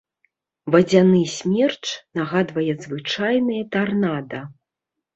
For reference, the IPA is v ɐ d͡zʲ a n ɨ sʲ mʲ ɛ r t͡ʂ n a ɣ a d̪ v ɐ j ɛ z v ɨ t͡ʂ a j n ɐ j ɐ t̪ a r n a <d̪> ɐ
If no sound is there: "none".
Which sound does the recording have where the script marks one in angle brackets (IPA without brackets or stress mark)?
d̪